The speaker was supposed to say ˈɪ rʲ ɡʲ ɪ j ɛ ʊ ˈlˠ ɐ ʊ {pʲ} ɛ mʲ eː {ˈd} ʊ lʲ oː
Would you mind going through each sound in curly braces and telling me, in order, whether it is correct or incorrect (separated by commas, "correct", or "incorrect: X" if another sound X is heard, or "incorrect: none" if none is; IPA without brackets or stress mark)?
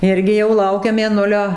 incorrect: kʲ, incorrect: n